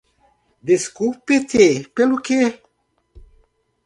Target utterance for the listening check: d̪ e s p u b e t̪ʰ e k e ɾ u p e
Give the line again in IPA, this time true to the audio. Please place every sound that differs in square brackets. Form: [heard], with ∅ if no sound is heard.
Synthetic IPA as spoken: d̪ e s [k] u [p] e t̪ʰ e [p] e [l] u [k] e